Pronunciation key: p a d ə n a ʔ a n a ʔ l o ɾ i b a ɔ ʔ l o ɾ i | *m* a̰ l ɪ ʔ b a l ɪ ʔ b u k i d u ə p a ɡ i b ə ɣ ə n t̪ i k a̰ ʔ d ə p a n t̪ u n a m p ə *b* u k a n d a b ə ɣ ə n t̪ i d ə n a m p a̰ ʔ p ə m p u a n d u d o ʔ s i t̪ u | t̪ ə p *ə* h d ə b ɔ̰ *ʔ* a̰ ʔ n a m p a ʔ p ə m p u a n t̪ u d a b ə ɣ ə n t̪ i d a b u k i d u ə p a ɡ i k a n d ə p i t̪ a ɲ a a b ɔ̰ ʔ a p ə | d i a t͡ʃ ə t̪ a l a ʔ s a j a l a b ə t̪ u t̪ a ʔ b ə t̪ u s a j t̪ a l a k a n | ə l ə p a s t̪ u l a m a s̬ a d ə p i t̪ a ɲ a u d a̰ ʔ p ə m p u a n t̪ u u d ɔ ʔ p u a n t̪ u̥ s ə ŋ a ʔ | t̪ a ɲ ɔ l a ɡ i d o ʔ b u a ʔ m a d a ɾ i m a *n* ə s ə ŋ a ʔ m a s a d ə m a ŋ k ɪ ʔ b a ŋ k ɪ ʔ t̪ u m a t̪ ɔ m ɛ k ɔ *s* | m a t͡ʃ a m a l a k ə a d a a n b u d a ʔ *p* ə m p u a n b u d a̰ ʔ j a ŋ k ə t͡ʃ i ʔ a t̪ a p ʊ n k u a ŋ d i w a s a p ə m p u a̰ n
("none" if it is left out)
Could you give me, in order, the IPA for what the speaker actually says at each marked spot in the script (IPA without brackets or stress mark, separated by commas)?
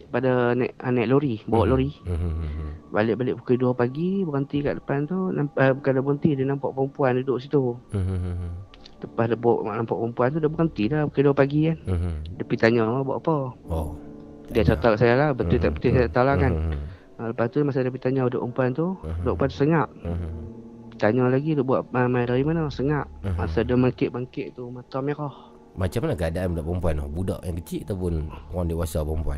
b, b, a, ʔ, n, h, p